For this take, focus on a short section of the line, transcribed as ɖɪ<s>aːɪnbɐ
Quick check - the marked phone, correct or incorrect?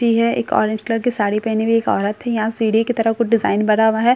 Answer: incorrect